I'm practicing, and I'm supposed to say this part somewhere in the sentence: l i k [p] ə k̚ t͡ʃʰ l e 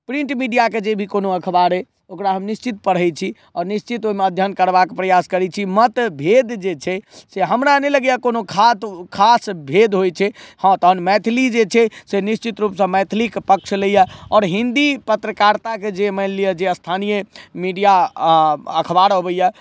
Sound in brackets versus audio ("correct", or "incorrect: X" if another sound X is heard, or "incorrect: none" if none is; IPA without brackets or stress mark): correct